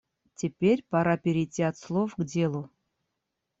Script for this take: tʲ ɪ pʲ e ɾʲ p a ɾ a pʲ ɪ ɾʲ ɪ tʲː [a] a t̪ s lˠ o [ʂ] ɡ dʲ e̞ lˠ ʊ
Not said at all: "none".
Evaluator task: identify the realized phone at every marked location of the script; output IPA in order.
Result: i, f

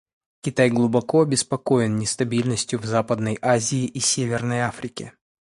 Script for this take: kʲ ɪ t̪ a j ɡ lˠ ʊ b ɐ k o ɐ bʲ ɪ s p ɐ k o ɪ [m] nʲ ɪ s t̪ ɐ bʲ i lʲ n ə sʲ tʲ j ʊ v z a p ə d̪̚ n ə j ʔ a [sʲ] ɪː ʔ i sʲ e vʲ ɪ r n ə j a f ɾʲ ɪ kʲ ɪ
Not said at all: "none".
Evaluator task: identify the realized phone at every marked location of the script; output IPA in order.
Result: n, zʲ

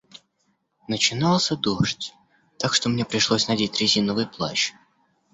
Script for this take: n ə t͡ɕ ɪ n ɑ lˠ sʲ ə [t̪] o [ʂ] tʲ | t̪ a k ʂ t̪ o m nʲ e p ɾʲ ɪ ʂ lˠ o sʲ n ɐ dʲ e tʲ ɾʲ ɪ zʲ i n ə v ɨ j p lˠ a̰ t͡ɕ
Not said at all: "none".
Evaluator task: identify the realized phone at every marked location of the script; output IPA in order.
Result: d̪, ʂ

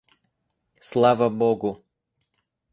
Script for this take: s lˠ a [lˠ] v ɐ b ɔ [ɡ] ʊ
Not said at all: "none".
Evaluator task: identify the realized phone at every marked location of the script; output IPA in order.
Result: none, ɡ

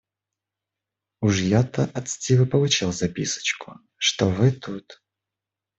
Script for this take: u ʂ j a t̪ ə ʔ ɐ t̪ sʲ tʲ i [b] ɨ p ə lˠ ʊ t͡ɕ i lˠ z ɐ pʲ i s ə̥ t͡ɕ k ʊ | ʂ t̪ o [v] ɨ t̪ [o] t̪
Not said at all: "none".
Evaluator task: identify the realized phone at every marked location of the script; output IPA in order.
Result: v, v, u

